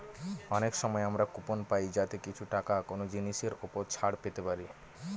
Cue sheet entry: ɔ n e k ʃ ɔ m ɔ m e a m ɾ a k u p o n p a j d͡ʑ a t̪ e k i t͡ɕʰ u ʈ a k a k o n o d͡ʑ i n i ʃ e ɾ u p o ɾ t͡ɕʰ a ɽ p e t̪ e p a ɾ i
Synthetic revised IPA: ɔ n e k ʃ ɔ m ɔ e a m ɾ a k u p o n p a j d͡ʑ a t̪ e k i t͡ɕʰ u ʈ a k a k o n o d͡ʑ i n i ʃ e ɾ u p o ɾ t͡ɕʰ a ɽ p e t̪ e p a ɾ i